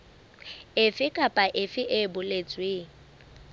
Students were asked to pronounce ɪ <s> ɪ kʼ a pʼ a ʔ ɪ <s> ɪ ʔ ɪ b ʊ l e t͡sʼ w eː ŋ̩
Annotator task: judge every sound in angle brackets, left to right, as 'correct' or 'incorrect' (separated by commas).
incorrect, incorrect